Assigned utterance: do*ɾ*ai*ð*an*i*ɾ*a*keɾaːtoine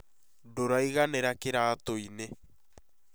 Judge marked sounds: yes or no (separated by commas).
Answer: yes, no, no, yes